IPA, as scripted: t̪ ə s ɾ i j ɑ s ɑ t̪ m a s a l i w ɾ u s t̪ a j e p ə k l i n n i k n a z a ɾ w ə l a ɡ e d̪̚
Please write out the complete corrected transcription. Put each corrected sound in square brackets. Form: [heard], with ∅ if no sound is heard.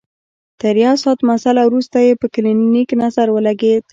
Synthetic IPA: t̪ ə [∅] ɾ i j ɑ s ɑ t̪ m a s a l [a] w ɾ u s t̪ a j e p ə k l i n n i k n a z a ɾ w ə l a ɡ e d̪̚